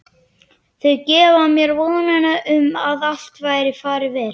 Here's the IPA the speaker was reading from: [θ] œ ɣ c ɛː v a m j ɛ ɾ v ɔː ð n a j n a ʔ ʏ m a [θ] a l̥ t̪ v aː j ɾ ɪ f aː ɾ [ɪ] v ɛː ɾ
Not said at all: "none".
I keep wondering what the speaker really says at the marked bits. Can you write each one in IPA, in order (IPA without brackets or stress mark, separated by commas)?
θ, ð, ɪ